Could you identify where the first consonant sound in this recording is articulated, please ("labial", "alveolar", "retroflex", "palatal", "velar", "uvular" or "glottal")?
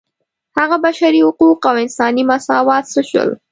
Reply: glottal